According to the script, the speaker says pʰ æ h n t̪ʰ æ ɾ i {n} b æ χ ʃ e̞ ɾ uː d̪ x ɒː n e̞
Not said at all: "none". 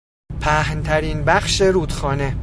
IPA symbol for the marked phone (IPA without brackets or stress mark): n